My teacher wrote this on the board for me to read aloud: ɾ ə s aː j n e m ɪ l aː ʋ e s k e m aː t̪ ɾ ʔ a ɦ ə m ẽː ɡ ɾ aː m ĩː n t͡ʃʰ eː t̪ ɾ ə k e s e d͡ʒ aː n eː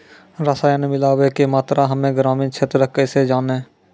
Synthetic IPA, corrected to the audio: ɾ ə s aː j n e m ɪ l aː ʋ e k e m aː t̪ ɾ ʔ a ɦ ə m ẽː ɡ ɾ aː m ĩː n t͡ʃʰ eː t̪ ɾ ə k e s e d͡ʒ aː n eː